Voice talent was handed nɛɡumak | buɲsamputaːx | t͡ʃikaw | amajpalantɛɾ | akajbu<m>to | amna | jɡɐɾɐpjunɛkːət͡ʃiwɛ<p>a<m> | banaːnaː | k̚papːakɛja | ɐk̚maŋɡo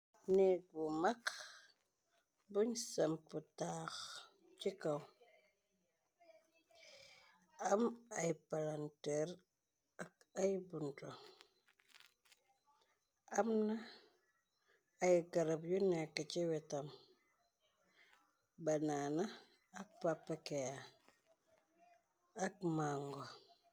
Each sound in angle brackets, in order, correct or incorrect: incorrect: n, incorrect: t, correct

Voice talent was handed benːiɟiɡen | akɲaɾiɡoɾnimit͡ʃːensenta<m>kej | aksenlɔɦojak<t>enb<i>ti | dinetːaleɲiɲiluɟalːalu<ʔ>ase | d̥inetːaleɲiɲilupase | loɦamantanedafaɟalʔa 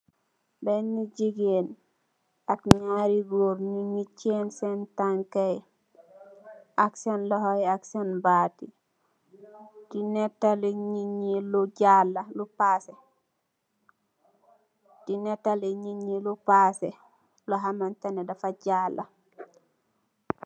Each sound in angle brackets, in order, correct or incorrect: incorrect: ŋ, incorrect: s, incorrect: a, incorrect: p

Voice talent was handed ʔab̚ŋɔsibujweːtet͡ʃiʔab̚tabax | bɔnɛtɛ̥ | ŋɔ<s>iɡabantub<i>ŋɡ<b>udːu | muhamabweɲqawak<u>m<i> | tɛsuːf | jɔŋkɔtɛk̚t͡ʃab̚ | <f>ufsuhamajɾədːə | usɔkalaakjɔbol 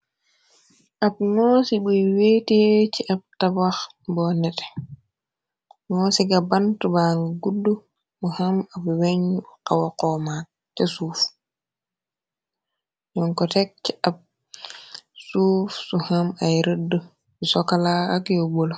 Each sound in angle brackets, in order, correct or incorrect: correct, incorrect: a, incorrect: ɡ, incorrect: ɔ, incorrect: a, incorrect: s

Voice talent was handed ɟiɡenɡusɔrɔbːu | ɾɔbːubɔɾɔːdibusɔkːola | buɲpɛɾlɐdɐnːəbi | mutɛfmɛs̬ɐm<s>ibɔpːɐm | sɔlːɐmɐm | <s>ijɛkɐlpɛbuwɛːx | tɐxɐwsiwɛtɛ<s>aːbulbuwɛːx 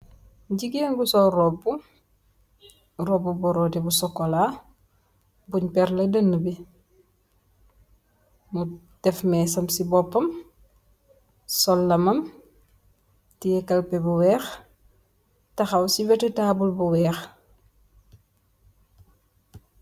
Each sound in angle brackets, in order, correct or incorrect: correct, incorrect: t, incorrect: t

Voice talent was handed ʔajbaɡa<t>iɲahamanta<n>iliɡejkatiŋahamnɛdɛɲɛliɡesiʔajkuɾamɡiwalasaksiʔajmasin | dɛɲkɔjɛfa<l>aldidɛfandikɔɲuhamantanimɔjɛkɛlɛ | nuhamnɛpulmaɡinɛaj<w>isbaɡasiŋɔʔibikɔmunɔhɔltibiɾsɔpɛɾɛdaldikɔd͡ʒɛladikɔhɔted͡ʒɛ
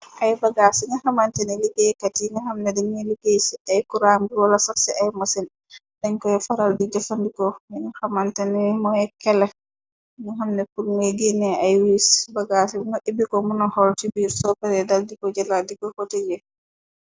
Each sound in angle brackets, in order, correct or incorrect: incorrect: s, correct, incorrect: ɾ, correct

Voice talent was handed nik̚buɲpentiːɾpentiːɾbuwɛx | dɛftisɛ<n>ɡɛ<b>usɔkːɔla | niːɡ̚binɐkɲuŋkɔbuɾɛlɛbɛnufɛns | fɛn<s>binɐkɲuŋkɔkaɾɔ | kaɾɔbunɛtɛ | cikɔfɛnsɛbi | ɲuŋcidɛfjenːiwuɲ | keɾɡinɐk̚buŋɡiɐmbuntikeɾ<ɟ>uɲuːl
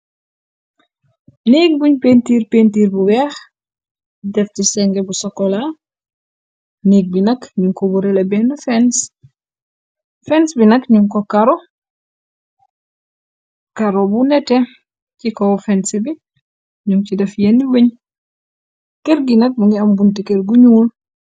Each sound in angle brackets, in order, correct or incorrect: incorrect: ŋ, correct, correct, incorrect: ɡ

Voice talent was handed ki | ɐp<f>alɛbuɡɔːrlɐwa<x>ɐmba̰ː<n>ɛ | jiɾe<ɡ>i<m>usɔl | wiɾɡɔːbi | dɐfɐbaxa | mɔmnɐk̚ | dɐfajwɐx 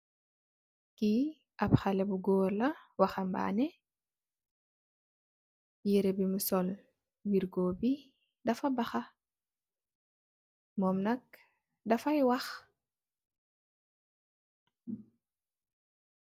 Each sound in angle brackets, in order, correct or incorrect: incorrect: x, correct, correct, incorrect: b, correct

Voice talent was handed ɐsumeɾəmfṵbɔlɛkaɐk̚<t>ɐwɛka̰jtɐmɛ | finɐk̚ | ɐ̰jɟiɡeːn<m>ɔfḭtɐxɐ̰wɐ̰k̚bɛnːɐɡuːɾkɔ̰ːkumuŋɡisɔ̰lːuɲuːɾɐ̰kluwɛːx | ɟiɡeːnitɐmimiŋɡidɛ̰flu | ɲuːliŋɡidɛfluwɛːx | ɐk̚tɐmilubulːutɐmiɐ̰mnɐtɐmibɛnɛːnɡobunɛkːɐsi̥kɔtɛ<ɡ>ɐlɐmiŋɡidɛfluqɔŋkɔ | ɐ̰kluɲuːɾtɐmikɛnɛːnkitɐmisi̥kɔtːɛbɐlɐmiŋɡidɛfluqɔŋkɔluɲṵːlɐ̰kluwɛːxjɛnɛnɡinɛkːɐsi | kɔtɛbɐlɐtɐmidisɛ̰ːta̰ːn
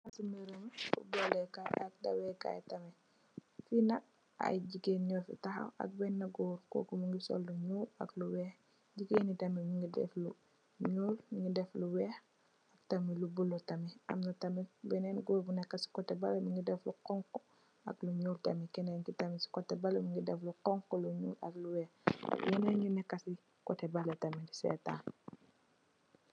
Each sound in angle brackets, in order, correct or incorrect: incorrect: d, incorrect: ɲ, incorrect: b

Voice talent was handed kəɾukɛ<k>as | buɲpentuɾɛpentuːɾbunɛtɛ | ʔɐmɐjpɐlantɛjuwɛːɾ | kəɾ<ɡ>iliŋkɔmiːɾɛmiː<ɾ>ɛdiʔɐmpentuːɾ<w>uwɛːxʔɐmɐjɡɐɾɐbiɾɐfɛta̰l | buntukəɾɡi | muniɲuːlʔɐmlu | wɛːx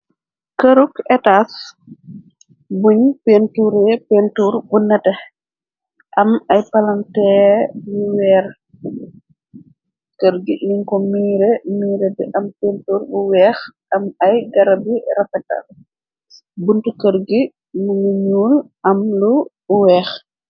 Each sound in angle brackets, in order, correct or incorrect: incorrect: t, correct, correct, incorrect: b

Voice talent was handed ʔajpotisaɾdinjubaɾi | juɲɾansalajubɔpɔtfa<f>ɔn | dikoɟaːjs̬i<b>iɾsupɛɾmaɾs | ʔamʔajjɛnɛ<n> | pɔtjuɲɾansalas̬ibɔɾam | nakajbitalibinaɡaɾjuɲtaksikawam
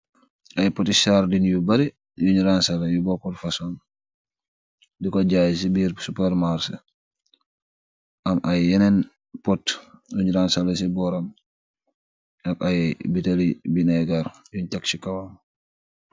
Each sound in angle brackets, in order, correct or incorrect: incorrect: s, correct, correct

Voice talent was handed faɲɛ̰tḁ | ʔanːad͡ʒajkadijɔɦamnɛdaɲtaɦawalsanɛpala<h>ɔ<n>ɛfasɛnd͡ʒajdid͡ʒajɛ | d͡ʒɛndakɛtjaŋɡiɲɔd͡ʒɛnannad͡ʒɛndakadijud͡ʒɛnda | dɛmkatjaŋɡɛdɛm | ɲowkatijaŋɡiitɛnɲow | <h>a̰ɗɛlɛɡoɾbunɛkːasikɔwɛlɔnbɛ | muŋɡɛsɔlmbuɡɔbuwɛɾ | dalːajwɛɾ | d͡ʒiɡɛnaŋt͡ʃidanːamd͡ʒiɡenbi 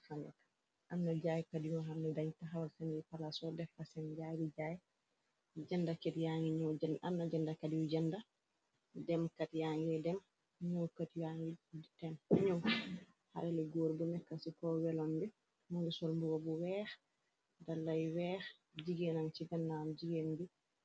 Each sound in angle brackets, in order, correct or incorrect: incorrect: s, incorrect: d, correct

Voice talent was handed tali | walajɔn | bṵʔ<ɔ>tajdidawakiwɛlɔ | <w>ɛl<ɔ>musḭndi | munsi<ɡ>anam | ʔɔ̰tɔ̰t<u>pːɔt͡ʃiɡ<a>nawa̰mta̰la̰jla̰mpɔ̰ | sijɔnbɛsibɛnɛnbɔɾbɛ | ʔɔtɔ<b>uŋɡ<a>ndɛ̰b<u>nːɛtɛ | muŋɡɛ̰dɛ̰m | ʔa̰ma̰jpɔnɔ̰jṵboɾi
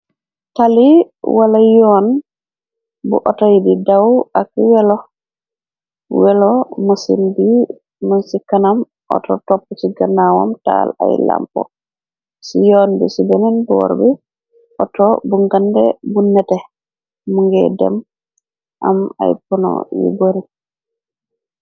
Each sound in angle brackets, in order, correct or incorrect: correct, correct, correct, incorrect: k, incorrect: ɔ, correct, correct, correct, correct

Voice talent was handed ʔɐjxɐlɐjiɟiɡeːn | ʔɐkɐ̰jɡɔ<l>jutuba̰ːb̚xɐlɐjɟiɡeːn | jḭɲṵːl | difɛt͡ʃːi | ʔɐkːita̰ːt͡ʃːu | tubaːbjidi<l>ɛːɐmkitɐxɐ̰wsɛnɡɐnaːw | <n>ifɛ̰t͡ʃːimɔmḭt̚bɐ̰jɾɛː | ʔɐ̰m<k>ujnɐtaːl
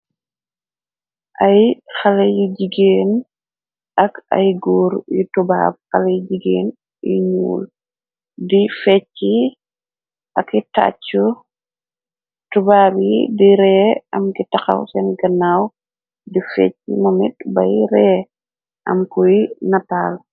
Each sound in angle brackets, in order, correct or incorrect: incorrect: ɾ, incorrect: ɾ, incorrect: d, correct

